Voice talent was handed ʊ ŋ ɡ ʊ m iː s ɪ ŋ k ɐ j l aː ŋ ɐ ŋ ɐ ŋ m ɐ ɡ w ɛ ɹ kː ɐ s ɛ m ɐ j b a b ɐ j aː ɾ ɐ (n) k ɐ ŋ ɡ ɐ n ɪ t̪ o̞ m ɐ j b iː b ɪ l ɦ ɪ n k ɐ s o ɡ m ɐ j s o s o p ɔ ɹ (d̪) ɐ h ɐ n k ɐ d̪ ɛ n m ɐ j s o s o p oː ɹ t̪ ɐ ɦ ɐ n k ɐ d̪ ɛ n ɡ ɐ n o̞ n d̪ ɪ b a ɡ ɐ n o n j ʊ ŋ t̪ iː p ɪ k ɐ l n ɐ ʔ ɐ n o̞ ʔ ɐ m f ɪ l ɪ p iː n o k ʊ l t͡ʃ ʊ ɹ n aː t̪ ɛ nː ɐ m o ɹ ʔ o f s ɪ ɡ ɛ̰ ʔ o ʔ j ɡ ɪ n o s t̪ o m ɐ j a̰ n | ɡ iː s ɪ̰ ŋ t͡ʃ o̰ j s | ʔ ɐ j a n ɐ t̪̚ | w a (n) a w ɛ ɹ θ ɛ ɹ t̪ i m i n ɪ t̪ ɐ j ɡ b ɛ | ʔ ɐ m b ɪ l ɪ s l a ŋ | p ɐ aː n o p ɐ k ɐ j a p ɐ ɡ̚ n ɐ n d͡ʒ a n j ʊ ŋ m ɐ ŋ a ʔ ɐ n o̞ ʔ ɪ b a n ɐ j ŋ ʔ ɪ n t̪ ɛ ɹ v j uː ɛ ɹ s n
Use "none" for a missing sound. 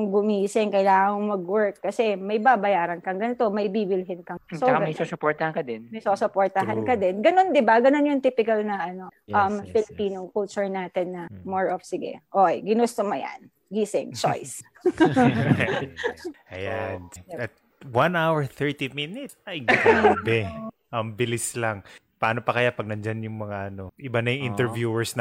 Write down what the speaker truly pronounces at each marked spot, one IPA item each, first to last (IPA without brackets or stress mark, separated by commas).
n, t̪, n